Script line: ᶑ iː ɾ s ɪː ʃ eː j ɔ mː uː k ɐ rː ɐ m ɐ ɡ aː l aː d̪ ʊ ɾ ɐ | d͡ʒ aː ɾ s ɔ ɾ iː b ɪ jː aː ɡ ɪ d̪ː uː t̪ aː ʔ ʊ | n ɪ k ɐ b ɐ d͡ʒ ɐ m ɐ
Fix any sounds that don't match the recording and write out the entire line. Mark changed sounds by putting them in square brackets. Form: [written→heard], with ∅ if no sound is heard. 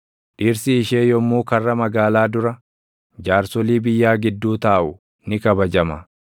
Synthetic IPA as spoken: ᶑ iː ɾ s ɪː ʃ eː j ɔ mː uː k ɐ rː ɐ m ɐ ɡ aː l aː d̪ ʊ ɾ ɐ | d͡ʒ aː ɾ s ɔ [ɾ→l] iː b ɪ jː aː ɡ ɪ d̪ː uː t̪ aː ʔ ʊ | n ɪ k ɐ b ɐ d͡ʒ ɐ m ɐ